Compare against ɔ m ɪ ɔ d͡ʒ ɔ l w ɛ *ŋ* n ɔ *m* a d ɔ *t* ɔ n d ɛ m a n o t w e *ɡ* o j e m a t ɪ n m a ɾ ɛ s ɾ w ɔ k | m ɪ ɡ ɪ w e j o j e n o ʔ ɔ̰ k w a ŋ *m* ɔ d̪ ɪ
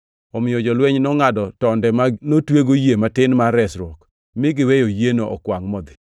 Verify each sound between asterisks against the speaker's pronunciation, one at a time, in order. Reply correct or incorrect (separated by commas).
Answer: incorrect, incorrect, correct, correct, correct